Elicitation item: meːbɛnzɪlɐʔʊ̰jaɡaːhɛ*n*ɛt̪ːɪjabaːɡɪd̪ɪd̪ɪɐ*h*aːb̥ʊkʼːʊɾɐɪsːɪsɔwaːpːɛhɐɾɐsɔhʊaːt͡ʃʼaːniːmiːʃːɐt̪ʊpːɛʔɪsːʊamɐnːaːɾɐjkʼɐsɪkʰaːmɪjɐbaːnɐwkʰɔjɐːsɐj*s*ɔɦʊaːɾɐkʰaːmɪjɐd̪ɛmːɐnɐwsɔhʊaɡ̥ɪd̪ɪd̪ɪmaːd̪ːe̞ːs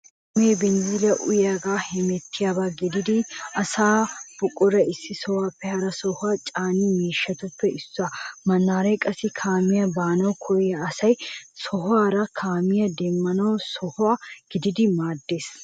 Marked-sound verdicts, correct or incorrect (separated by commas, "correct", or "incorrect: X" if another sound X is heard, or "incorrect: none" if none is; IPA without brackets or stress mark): incorrect: m, incorrect: s, correct